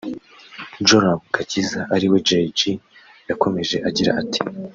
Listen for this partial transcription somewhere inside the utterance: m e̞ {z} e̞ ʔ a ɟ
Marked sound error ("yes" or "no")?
yes